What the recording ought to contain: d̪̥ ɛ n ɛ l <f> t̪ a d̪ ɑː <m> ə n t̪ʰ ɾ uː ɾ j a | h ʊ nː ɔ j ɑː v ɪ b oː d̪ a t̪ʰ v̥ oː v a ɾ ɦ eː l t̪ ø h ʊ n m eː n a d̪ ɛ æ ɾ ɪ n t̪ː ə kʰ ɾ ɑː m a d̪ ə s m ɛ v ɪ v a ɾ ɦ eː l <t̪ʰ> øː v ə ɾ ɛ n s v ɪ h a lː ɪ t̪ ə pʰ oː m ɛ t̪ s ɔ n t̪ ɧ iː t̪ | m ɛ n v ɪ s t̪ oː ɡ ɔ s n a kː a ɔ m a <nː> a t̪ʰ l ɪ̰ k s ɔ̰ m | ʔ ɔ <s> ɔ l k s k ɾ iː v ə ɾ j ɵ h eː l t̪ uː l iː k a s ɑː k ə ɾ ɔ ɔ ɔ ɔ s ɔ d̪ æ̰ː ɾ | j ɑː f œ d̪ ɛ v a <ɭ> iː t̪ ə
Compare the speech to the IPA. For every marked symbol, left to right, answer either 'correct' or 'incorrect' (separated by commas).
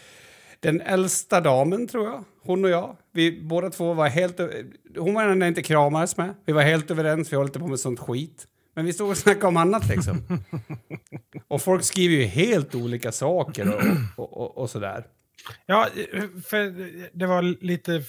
incorrect, correct, incorrect, correct, incorrect, incorrect